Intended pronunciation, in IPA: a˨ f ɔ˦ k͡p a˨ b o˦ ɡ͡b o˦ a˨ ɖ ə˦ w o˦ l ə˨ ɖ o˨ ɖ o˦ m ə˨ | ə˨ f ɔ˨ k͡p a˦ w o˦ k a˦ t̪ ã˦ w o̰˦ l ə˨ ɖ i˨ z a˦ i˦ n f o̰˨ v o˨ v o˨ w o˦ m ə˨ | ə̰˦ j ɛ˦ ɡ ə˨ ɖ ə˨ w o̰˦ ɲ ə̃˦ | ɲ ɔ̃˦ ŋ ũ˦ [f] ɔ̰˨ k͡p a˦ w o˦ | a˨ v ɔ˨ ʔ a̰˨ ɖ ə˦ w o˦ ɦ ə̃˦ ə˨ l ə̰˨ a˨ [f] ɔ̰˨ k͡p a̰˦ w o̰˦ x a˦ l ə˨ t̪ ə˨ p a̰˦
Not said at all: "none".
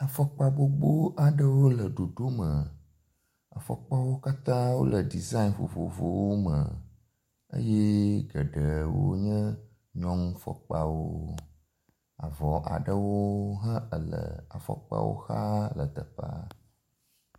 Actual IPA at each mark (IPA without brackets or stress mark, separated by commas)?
f, f